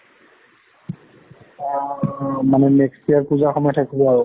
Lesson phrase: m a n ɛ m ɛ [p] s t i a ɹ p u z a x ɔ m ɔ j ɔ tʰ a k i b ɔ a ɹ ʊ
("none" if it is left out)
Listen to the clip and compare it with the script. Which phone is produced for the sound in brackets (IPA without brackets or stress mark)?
k